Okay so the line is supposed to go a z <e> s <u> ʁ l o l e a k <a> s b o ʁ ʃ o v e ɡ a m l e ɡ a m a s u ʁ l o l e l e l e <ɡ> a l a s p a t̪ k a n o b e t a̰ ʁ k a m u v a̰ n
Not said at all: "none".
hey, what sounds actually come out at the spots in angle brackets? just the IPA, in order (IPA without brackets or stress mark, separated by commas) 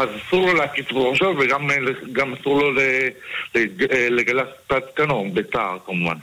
a, u, i, ɡ